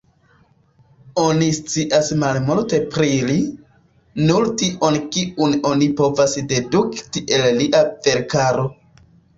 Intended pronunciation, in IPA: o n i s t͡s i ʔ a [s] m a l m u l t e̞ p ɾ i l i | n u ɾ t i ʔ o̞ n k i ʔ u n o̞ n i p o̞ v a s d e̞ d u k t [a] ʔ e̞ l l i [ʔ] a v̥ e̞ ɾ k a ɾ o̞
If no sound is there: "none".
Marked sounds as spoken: s, i, ʔ

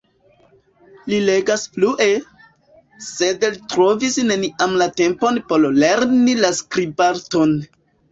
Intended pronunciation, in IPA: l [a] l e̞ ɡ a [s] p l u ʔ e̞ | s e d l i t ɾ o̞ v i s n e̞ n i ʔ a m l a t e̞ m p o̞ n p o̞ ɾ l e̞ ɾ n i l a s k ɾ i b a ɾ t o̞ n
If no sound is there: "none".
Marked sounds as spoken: i, s

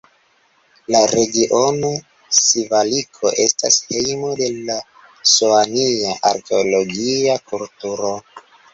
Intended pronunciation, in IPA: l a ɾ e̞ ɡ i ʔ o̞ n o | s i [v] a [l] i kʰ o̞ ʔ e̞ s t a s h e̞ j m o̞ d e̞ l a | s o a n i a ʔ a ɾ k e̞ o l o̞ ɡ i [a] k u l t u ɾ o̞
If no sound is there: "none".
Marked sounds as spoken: v, l, a

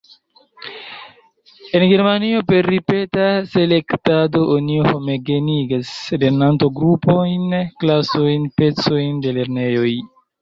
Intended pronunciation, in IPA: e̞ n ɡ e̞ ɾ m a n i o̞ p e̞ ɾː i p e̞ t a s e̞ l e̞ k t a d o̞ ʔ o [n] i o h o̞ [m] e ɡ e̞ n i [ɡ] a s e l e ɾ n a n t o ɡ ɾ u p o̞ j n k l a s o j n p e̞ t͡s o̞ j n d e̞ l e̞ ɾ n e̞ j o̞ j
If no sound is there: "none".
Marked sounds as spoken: n, m, ɡ

